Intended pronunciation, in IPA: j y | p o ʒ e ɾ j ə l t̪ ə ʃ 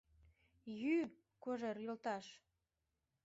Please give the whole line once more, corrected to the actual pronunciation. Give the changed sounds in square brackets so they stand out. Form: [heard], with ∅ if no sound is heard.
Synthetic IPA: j y | [k] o ʒ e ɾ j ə l t̪ [ɑ] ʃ